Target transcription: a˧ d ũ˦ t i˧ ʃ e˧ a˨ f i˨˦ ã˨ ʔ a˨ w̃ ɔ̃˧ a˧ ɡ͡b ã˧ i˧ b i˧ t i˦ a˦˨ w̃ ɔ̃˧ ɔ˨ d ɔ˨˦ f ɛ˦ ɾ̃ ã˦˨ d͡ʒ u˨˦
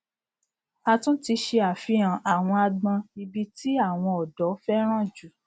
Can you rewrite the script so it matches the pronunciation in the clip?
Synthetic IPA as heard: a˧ t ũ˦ t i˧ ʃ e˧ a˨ f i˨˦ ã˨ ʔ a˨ w̃ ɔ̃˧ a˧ ɡ͡b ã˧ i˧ b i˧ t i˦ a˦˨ w̃ ɔ̃˧ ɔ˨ d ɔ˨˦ f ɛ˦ ɾ̃ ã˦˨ d͡ʒ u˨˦

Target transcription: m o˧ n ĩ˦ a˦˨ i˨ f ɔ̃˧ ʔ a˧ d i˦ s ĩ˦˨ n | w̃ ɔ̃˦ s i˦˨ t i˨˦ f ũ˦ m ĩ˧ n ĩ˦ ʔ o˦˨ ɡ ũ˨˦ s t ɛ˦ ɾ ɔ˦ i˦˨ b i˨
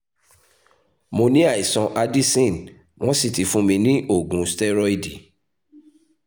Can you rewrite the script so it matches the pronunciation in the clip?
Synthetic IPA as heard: m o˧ n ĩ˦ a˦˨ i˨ s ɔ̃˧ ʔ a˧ d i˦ s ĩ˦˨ n | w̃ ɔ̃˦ s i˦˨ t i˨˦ f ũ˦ m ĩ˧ n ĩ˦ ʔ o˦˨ ɡ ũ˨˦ s t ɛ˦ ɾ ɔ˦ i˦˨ d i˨

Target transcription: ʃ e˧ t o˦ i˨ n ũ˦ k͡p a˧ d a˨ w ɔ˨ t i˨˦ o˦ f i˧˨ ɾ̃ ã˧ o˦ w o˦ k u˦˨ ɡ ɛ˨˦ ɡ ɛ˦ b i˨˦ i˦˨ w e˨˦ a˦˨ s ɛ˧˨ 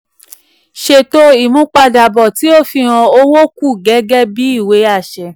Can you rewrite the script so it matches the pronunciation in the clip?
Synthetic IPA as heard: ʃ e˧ t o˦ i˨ m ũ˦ k͡p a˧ d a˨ b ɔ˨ t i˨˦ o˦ f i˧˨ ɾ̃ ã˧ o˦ w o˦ k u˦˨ ɡ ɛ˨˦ ɡ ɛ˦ b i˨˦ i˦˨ w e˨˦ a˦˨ ʃ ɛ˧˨

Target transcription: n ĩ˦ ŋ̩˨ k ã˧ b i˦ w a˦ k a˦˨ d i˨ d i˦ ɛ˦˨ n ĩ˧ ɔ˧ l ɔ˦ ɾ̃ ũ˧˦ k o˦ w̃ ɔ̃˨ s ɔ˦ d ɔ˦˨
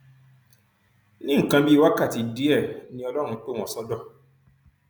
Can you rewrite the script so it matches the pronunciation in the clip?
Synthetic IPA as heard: n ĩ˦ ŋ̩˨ k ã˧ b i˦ w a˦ k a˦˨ t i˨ d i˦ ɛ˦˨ n ĩ˧ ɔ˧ l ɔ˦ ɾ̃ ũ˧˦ k͡p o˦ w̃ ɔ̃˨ s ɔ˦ d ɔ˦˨

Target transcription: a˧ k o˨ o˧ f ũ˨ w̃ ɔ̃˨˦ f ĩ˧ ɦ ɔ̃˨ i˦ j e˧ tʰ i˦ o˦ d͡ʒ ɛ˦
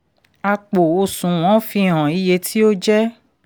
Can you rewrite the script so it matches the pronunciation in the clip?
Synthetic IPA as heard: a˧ k͡p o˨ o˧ s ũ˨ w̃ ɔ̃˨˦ f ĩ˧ ɦ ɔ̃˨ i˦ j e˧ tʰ i˦ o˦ d͡ʒ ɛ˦

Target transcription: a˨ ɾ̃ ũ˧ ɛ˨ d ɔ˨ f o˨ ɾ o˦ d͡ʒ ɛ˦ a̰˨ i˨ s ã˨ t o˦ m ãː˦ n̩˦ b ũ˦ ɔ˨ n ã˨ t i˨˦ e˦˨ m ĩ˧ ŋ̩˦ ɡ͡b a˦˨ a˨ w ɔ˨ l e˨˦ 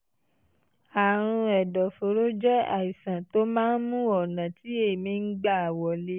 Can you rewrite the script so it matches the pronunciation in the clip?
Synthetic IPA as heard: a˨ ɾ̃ ũ˧ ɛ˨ d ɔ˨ f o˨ ɾ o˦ d͡ʒ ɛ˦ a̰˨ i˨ s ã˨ t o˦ m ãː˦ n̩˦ m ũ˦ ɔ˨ n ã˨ t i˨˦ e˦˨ m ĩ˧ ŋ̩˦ ɡ͡b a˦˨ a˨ w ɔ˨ l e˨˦

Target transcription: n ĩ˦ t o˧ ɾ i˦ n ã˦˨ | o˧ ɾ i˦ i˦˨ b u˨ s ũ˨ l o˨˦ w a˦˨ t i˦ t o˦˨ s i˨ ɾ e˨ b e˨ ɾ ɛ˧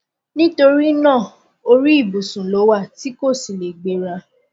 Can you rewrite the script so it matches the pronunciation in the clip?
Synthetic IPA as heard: n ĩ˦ t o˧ ɾ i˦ n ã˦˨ | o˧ ɾ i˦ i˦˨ b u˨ s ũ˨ l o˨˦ w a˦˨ t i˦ k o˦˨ s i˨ l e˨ ɡ͡b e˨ ɾ a˧

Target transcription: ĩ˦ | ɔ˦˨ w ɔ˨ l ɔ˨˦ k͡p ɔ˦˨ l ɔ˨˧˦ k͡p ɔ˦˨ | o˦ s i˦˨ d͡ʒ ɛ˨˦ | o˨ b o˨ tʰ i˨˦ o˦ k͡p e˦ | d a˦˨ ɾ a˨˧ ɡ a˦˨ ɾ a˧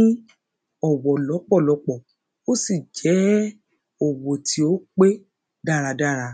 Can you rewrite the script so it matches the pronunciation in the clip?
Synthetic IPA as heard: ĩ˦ | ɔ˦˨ w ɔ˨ l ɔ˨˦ k͡p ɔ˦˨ l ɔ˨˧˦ k͡p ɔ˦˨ | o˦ s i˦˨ d͡ʒ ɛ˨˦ | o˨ w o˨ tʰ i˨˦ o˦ k͡p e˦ | d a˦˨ ɾ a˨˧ d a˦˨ ɾ a˧

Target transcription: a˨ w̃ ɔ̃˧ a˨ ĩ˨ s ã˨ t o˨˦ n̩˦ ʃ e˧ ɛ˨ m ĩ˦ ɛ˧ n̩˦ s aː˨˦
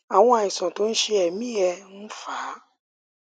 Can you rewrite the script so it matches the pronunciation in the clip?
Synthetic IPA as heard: a˨ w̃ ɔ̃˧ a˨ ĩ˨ s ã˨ t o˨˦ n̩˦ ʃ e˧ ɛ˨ m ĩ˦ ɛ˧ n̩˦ f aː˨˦

